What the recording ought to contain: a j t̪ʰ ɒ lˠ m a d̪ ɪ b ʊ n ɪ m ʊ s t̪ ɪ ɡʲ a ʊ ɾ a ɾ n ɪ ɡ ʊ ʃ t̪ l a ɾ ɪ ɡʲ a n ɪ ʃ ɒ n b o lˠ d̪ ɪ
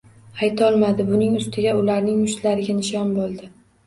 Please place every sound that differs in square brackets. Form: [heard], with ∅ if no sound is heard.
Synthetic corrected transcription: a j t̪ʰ ɒ lˠ m a d̪ ɪ b ʊ n ɪ [ŋ] ʊ s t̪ ɪ ɡʲ a ʊ [l] a ɾ n ɪ [ŋ] ʊ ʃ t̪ l a ɾ ɪ ɡʲ a n ɪ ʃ ɒ n b o lˠ d̪ ɪ